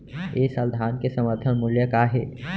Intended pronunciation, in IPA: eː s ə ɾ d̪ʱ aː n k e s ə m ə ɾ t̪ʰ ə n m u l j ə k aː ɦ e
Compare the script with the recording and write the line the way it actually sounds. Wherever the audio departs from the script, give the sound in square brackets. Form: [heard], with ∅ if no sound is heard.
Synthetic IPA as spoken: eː s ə [l] d̪ʱ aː n k e s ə m ə ɾ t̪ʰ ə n m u l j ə k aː ɦ e